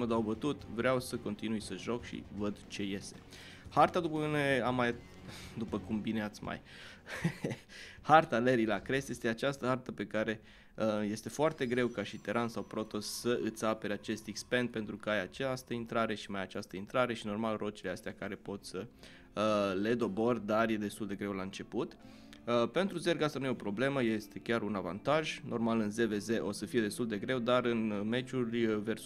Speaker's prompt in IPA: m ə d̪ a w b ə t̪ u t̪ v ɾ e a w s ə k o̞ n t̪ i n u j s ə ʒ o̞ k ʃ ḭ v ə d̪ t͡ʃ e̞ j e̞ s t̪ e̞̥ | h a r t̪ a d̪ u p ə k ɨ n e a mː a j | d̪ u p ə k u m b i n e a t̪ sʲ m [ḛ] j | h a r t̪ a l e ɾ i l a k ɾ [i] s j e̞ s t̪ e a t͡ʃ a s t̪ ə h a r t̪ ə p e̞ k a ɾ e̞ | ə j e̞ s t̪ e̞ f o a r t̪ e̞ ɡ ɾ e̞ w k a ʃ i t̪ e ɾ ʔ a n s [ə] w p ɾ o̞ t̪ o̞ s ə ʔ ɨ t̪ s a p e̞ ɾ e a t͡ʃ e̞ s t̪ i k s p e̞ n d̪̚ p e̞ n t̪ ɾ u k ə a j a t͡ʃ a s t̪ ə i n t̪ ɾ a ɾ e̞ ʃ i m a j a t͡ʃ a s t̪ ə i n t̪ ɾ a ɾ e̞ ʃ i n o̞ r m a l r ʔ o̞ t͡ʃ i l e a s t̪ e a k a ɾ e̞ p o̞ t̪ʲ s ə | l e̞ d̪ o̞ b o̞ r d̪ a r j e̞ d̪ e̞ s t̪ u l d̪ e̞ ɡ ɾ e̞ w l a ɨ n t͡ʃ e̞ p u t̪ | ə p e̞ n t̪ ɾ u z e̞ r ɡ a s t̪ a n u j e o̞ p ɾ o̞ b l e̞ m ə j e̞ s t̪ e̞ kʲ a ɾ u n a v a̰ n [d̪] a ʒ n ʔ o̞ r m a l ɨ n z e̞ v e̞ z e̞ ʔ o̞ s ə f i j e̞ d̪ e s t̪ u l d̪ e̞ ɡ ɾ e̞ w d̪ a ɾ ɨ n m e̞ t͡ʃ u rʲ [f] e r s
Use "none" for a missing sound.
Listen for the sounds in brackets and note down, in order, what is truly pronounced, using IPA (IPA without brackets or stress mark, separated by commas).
a̰, e, a, t̪, v